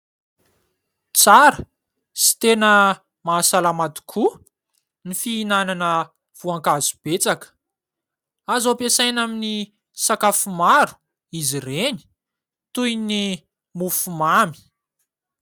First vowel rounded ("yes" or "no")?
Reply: no